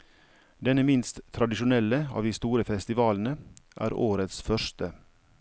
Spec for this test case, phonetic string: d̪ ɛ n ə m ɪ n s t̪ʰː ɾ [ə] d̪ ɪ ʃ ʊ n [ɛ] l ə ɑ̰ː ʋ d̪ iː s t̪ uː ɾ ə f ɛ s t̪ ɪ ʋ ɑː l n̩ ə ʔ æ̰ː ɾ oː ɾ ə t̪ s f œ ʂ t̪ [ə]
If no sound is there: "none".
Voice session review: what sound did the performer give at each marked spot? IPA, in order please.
ɑ, ɛ, ə

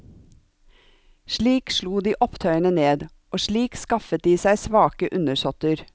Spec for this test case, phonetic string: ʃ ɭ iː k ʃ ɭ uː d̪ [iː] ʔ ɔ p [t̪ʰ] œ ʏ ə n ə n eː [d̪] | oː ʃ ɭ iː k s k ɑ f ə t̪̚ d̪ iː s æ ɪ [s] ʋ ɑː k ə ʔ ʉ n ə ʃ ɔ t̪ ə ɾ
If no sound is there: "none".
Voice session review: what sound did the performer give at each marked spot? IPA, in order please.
iː, t̪ʰ, d̪, s

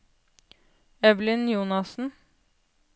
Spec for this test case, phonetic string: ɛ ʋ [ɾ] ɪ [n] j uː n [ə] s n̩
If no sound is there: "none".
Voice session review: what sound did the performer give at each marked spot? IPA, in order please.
l, n, ɑ

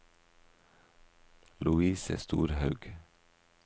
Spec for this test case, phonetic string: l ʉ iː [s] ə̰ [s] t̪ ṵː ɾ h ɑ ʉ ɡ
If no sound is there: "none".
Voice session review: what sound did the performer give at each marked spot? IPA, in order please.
s, s

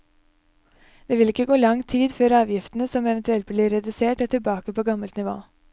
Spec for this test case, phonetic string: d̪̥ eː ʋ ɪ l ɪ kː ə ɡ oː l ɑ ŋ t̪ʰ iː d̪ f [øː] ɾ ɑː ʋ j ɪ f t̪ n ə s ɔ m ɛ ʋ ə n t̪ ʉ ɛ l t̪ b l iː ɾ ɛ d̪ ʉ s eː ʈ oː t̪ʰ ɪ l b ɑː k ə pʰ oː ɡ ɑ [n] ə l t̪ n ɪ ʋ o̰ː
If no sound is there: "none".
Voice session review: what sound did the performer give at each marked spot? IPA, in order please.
øː, m

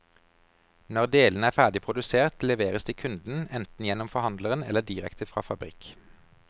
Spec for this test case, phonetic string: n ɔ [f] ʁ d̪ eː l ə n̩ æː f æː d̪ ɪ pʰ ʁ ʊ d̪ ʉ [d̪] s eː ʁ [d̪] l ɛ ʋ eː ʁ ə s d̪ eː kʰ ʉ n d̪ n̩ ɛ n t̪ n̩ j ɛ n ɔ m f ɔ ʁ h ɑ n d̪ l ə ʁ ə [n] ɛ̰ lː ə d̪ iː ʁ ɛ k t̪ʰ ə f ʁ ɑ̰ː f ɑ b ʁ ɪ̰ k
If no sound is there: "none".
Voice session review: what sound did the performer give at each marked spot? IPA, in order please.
none, none, t̪, n

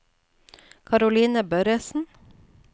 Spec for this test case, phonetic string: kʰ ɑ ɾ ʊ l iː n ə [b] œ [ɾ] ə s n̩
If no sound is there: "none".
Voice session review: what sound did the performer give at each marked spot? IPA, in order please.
b, ɾ

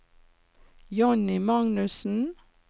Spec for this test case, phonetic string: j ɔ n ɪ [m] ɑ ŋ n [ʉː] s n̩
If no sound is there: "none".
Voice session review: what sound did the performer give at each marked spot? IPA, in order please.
m, ʉ

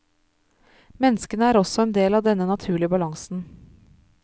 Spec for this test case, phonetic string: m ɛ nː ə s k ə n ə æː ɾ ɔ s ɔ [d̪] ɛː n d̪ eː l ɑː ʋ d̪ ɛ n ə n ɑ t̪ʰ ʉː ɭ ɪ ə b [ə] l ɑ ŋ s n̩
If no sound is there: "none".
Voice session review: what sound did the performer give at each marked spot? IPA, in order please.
none, ɑ

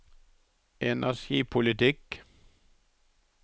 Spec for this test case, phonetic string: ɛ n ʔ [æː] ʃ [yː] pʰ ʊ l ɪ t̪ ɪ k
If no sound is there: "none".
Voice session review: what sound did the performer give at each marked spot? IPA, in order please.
æ, iː

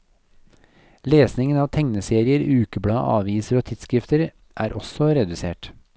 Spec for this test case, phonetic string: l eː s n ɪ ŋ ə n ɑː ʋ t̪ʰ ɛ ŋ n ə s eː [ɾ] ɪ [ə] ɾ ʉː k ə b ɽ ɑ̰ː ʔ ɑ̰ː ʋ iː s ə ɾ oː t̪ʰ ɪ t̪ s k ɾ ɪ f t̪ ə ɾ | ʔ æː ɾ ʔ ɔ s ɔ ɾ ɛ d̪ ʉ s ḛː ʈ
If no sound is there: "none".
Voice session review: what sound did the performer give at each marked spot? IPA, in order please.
ɾ, ə

